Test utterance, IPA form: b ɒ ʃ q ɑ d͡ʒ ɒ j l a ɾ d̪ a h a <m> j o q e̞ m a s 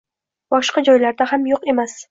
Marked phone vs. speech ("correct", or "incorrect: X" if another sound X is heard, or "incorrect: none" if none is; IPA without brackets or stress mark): correct